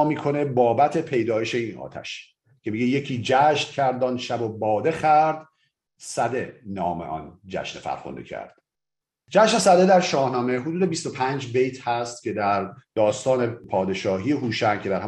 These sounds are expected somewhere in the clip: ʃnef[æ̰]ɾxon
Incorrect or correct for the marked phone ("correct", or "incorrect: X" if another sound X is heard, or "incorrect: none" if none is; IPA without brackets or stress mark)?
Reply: correct